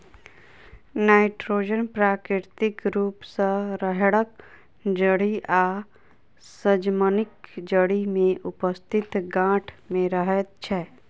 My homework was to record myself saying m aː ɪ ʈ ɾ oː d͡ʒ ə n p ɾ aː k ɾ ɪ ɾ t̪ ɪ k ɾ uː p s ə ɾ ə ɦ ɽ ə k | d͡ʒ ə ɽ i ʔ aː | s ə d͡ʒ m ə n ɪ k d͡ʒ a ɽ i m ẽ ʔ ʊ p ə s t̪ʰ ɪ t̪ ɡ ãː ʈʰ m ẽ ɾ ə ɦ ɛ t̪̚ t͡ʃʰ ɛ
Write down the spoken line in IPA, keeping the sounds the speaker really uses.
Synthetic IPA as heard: n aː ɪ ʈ ɾ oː d͡ʒ ə n p ɾ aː k ɾ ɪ ɾ t̪ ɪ k ɾ uː p s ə ɾ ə ɦ ɽ ə k | d͡ʒ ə ɽ i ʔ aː | s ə d͡ʒ m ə n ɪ k d͡ʒ ə ɽ i m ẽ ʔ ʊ p ə s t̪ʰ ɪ t̪ ɡ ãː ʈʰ m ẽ ɾ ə ɦ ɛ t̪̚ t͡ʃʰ ɛ